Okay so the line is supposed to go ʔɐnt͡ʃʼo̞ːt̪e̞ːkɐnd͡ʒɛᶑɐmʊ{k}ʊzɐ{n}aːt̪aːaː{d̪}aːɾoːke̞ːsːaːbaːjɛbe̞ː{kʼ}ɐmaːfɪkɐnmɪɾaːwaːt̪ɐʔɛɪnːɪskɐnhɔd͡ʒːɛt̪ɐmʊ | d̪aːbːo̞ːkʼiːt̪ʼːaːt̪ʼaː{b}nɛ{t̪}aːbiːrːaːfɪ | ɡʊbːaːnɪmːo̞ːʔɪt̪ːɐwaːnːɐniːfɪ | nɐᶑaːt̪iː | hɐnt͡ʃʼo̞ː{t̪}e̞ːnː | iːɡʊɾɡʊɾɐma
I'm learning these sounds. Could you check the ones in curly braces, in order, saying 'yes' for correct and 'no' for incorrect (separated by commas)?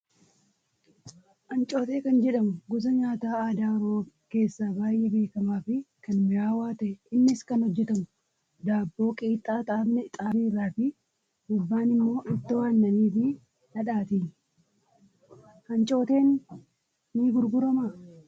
no, no, yes, no, yes, no, yes